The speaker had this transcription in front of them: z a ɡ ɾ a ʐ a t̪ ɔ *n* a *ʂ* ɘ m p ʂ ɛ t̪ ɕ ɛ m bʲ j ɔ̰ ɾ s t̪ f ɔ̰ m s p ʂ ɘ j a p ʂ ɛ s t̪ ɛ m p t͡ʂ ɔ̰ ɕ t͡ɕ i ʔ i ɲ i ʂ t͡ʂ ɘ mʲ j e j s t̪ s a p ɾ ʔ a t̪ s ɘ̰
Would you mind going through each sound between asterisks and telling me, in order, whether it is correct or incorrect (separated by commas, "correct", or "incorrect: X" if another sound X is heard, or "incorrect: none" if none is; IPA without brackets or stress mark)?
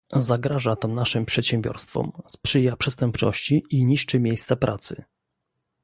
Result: correct, correct